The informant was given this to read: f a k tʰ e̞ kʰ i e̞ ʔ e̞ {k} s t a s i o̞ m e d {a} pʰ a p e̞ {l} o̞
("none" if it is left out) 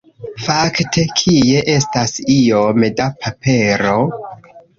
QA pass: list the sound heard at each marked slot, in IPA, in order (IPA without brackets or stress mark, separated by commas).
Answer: none, a, ɾ